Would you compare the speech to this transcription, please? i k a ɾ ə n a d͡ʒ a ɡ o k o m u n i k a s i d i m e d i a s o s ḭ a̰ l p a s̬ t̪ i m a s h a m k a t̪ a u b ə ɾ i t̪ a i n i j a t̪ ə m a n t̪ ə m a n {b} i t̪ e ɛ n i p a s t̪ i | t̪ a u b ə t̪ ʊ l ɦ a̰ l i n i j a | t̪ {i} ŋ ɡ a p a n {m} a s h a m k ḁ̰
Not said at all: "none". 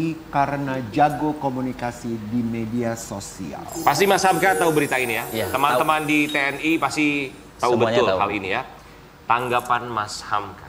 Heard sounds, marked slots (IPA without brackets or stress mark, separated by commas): d, a, m